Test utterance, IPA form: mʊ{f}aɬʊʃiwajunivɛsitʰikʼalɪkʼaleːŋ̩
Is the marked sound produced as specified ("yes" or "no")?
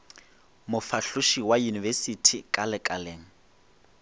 yes